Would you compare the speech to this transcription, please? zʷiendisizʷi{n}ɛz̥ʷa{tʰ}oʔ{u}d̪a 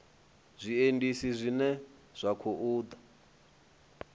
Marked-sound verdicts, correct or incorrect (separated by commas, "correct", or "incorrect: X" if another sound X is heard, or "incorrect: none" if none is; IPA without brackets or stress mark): correct, incorrect: kʰ, incorrect: uː